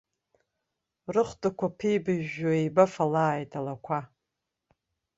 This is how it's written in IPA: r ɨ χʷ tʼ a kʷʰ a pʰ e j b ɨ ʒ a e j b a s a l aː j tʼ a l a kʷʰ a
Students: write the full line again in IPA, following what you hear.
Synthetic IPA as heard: r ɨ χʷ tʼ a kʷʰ a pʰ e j b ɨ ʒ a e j b a f a l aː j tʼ a l a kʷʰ a